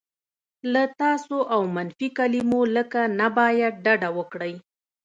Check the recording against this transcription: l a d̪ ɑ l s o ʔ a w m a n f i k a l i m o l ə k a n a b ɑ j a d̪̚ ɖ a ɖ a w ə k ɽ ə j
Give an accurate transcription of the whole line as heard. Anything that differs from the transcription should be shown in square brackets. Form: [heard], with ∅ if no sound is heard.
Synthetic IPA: l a [t̪] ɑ [∅] s o ʔ a w m a n f i k a l i m o l ə k a n a b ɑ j a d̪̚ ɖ a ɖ a w ə k ɽ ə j